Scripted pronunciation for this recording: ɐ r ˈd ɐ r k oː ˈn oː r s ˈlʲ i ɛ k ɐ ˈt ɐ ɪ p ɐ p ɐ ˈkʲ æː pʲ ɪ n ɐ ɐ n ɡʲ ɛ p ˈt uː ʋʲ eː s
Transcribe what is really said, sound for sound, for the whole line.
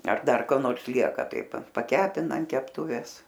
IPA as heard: ɐ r ˈd ɐ r k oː ˈn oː r s ˈlʲ i ɛ k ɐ ˈt ɐ ɪ p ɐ p ɐ ˈkʲ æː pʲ ɪ n ɐ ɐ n kʲ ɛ p ˈt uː ʋʲ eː s